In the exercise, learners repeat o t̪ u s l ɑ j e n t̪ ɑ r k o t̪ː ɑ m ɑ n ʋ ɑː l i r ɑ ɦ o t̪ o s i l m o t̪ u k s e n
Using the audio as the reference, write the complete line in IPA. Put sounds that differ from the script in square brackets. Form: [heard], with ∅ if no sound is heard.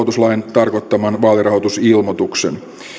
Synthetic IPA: o t̪ u s l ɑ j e n t̪ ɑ r k o t̪ː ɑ m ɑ n ʋ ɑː l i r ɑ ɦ o t̪ [u] s i l m o t̪ u k s e n

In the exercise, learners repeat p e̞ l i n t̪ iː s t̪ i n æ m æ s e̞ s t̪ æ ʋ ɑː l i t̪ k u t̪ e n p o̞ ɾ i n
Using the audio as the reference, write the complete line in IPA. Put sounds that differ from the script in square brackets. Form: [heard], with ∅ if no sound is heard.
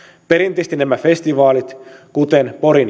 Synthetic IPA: p e̞ [ɾ] i n t̪ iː s t̪ i n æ m æ [f] e̞ s t̪ [i] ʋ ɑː l i t̪ k u t̪ e n p o̞ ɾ i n

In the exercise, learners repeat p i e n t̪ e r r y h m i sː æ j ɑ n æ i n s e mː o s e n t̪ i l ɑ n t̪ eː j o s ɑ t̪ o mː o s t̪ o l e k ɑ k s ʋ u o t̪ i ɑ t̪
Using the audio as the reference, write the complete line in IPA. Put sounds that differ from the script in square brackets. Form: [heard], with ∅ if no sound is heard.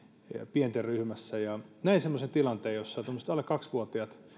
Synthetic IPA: p i e n t̪ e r r y h m [æ] sː æ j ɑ n æ i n s e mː o s e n t̪ i l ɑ n t̪ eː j o [sː] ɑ t̪ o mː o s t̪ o l e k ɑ k s ʋ u o t̪ i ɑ t̪

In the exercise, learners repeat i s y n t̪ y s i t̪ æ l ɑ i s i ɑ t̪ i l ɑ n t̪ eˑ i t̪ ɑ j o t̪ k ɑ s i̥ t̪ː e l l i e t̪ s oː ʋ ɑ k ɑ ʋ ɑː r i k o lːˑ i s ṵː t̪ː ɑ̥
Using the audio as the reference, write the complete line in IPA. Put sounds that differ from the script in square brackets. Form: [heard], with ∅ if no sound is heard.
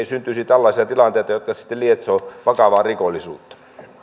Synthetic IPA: i s y n t̪ y s i t̪ æ [lː] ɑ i s i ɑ t̪ i l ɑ n t̪ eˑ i t̪ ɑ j o t̪ k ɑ s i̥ t̪ː e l l i e t̪ s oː ʋ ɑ k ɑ ʋ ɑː r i k o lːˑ i s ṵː t̪ː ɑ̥

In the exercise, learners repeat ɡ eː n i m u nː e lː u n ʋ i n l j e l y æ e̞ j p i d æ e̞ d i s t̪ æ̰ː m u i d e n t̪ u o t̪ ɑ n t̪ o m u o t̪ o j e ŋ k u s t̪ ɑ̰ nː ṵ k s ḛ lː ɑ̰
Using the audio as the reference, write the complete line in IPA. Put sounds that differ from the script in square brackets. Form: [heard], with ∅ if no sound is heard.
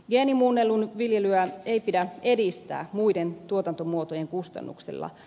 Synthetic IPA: ɡ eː n i m u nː e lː u n ʋ i [∅] l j e l y æ e̞ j p i d æ e̞ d i s t̪ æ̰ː m u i d e n t̪ u o t̪ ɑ n t̪ o m u o t̪ o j e ŋ k u s t̪ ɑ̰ nː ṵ k s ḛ lː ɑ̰

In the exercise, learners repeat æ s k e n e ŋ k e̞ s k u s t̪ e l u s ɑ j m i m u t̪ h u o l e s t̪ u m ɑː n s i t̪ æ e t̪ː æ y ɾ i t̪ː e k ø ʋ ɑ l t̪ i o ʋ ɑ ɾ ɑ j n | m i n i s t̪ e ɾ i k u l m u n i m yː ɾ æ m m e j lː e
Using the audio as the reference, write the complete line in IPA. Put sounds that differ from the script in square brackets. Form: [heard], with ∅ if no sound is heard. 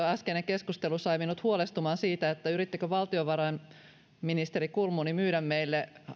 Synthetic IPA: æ s k e n e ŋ k e̞ s k u s t̪ e l u s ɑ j m i [n] u t̪ h u o l e s t̪ u m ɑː n s [iː] t̪ æ e t̪ː æ y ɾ i t̪ː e k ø ʋ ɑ l t̪ i o ʋ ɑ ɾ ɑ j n | m i n i s t̪ e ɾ i k u l m u n i m yː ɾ æ m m e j lː e

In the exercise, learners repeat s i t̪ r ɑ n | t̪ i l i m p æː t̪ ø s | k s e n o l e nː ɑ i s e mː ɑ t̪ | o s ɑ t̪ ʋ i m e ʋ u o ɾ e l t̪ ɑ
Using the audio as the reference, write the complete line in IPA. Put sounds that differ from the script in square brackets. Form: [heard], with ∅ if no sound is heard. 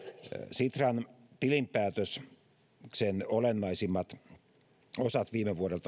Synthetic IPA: s i t̪ r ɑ n | t̪ i l i m p æː t̪ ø s | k s e n o l e nː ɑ i s [i] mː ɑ t̪ | o s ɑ t̪ ʋ [iː] m e ʋ u o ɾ e l t̪ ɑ

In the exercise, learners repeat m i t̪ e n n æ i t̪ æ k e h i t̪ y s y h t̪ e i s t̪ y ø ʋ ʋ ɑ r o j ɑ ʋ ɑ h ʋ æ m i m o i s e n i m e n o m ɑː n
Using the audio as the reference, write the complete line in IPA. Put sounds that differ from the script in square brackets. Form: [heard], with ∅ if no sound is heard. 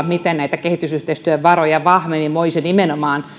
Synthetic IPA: m i t̪ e n n æ i t̪ æ k e h i t̪ y s y h t̪ e i s t̪ y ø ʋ ʋ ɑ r o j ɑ ʋ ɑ h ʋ [e] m i m o i s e n i m e n o m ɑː n

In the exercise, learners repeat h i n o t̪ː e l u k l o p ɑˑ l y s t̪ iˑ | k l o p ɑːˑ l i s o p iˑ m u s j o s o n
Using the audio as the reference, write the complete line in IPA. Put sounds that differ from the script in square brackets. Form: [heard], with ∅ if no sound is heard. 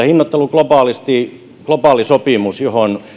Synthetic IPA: h i [nː] o t̪ː e l u k l o p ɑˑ l [i] s t̪ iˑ | k l o p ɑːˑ l i s o p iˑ m u s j o [h] o n

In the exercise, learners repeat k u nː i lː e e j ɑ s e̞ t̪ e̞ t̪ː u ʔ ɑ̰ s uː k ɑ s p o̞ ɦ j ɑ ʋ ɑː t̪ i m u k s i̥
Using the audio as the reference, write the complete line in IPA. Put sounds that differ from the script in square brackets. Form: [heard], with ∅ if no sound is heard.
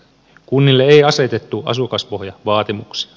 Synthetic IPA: k u nː i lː e e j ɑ s e̞ t̪ e̞ t̪ː u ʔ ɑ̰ s [u] k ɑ s p o̞ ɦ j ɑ ʋ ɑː t̪ i m u k s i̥

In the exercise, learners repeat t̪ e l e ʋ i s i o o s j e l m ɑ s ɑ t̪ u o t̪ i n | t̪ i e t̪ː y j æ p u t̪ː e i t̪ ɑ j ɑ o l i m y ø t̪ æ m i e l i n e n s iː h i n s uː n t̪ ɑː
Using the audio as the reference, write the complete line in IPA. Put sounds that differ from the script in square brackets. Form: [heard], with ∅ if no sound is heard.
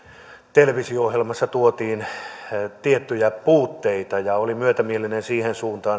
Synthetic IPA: t̪ e l e ʋ i s i o o [h] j e l m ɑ [sː] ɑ t̪ u o t̪ [iː] n | t̪ i e t̪ː y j æ p [uː] t̪ː e i t̪ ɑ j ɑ o l i m y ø t̪ æ m i e l i n e n s iː h [e] n s uː n t̪ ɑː

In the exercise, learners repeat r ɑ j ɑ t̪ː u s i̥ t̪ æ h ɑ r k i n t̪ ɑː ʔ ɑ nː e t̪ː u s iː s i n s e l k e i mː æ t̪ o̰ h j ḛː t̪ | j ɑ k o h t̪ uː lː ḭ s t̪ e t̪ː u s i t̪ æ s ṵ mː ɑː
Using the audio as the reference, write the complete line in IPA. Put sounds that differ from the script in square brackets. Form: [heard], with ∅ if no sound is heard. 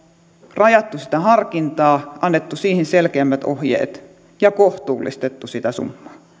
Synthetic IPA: r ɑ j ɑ t̪ː u s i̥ t̪ æ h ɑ r k i n t̪ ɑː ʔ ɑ nː e t̪ː u s iː [h] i n s e l k e [æ] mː æ t̪ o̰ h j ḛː t̪ | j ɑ k o h t̪ uː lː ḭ s t̪ e t̪ː u s i t̪ æ s ṵ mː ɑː

